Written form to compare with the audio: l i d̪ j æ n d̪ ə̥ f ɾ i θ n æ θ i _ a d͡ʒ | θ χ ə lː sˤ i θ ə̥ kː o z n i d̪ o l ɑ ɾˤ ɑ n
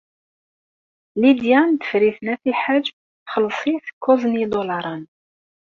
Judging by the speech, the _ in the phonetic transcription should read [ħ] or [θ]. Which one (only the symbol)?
ħ